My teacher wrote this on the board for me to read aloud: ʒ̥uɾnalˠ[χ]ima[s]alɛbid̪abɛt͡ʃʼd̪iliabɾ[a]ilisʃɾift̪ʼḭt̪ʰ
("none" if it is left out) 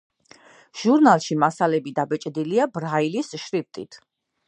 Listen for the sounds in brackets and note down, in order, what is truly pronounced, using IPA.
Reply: ʃ, s, a

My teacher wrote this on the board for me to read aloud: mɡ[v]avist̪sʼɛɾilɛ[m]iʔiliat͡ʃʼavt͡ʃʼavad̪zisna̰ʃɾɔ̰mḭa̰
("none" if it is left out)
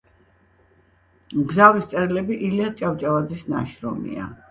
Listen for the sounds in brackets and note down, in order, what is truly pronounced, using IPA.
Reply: z, b

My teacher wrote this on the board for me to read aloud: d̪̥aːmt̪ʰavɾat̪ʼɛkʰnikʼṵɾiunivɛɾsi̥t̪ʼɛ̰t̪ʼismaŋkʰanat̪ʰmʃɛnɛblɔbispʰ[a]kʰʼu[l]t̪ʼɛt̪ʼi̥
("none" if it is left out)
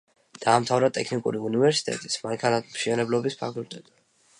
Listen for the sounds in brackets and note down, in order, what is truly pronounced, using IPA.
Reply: a, l

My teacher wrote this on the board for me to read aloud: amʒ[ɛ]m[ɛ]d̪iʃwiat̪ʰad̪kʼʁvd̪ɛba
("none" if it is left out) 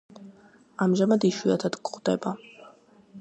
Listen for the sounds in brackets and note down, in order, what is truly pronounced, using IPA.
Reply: a, a

